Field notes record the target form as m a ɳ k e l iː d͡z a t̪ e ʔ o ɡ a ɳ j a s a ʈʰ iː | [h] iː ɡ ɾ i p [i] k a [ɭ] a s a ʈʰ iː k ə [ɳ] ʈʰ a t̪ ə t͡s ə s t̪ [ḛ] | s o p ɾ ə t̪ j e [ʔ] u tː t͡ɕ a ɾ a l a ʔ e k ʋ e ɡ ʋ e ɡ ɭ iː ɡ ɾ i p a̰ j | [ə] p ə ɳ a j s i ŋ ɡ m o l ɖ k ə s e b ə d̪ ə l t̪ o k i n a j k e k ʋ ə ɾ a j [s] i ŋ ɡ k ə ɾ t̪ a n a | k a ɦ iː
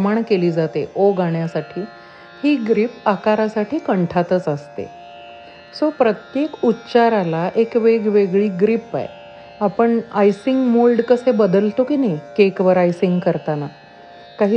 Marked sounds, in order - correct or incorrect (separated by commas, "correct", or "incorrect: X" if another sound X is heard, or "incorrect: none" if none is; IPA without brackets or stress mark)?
correct, incorrect: a, incorrect: ɾ, correct, correct, incorrect: k, incorrect: a, correct